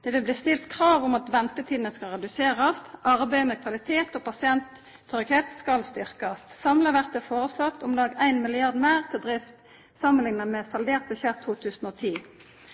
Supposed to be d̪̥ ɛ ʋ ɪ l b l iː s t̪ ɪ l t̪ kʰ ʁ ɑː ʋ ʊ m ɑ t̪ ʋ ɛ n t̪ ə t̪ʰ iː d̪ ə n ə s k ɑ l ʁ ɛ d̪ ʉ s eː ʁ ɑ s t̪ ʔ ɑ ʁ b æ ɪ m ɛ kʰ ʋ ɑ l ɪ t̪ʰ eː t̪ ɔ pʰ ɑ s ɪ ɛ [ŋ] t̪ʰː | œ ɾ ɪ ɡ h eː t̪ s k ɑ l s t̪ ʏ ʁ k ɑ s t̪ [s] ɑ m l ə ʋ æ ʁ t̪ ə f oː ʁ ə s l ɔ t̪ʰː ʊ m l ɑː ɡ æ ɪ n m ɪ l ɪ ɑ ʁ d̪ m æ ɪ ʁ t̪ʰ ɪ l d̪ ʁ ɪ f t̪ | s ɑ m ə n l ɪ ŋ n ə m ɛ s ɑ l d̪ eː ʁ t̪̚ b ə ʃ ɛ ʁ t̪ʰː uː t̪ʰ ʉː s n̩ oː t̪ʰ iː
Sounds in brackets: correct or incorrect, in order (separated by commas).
incorrect, correct